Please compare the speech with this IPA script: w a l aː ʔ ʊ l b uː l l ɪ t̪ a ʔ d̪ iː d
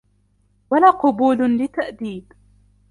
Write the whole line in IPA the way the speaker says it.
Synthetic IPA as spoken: w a l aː q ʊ b uː l l ɪ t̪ a ʔ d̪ iː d